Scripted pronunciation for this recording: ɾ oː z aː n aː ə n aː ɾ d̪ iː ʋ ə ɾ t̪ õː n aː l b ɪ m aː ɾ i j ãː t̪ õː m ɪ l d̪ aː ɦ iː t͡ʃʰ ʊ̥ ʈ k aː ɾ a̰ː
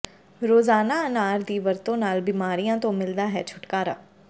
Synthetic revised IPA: ɾ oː z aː n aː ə n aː ɾ d̪ iː ʋ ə ɾ t̪ õː n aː l b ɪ m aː ɾ i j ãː t̪ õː m ɪ l d̪ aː ɦ ɛː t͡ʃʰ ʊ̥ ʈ k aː ɾ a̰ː